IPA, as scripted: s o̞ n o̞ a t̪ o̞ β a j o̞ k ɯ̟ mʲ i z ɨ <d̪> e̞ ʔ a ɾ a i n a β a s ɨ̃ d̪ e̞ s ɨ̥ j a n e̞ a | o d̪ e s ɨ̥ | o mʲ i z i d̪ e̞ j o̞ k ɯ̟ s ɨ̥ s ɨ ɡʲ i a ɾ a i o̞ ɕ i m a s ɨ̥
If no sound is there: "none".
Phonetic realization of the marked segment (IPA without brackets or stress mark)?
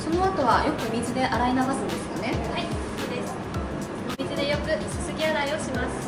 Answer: d̪